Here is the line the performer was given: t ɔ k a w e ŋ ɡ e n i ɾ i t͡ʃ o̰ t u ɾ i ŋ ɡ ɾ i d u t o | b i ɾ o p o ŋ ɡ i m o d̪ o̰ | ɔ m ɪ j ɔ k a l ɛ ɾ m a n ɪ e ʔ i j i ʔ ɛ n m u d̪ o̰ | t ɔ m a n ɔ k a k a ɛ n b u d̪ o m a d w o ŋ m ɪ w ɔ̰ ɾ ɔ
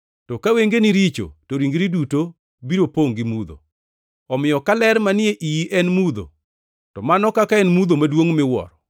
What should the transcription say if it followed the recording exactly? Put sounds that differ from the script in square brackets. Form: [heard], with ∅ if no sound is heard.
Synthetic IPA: t ɔ k a w e ŋ ɡ e n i ɾ i t͡ʃ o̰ t [o] ɾ i ŋ ɡ ɾ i d u t o | b i ɾ o p o ŋ ɡ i m [u] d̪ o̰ | ɔ m ɪ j ɔ k a l ɛ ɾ m a n ɪ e ʔ i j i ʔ ɛ n m u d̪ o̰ | t ɔ m a n ɔ k a k a ɛ n [m] u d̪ o m a d w o ŋ m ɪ w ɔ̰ ɾ ɔ